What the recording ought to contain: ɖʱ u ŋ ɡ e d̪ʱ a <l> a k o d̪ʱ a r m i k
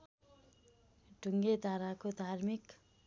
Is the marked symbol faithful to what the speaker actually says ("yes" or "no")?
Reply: no